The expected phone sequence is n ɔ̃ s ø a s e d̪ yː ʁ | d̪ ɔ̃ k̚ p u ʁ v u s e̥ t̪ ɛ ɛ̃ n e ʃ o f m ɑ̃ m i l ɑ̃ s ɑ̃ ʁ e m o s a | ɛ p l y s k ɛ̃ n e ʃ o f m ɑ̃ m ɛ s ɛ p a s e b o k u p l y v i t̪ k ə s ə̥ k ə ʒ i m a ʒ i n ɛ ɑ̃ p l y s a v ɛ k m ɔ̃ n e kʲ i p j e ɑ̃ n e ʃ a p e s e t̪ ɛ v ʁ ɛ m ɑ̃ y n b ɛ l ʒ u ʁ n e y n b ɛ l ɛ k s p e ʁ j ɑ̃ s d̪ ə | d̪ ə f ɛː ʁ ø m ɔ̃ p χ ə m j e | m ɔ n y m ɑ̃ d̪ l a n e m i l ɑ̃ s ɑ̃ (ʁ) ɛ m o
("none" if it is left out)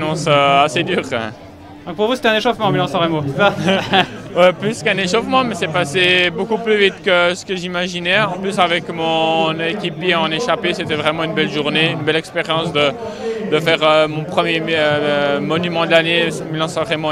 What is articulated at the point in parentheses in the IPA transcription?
ʁ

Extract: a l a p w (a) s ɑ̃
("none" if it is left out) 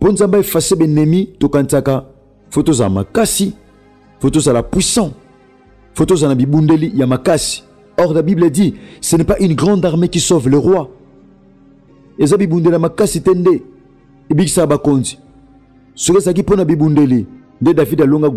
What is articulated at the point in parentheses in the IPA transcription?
i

